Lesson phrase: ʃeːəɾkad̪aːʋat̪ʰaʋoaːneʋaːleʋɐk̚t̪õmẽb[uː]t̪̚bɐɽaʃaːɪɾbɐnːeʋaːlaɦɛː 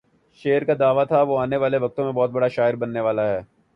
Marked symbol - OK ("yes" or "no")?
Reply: no